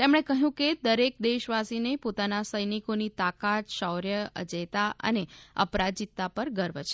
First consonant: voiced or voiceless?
voiceless